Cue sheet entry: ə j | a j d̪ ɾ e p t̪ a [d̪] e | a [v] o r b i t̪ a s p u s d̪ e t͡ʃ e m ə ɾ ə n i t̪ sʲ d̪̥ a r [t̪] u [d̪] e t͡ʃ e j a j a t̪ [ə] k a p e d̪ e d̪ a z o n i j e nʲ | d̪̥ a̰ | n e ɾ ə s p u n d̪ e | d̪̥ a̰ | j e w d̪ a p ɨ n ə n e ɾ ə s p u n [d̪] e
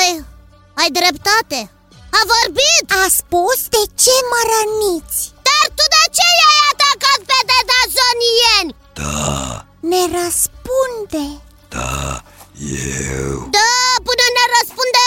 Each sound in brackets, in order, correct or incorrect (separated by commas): incorrect, correct, correct, correct, incorrect, correct